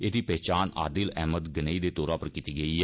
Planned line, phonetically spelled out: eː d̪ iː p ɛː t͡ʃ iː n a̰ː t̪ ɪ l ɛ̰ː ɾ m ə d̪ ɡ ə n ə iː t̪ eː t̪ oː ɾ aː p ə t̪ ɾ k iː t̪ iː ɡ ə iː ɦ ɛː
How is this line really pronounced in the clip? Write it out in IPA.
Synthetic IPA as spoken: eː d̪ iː p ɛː t͡ʃ aː n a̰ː d̪ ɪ l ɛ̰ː m ə d̪ ɡ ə n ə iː d̪ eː t̪ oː ɾ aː p ə ɾ k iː t̪ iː ɡ ə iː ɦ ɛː